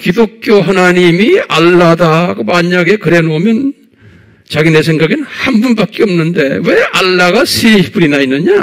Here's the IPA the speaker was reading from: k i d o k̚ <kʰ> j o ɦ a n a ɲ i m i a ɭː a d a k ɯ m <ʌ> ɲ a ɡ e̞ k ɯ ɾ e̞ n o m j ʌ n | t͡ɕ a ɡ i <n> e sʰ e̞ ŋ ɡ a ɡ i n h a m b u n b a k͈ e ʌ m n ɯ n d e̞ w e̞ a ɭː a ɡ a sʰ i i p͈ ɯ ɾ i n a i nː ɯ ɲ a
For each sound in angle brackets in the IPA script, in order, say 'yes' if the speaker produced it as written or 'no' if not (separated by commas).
yes, no, yes